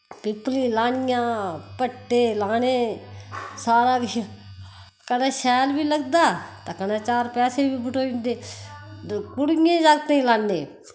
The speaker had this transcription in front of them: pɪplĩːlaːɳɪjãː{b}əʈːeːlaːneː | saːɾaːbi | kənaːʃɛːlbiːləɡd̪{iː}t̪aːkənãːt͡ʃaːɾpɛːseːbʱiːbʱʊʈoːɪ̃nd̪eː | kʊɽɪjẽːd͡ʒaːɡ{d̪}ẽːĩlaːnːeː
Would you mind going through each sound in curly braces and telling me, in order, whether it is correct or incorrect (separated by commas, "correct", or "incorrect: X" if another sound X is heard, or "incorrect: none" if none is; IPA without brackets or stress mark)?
incorrect: p, incorrect: aː, incorrect: t̪